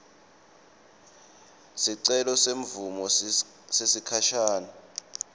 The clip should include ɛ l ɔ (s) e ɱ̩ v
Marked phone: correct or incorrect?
correct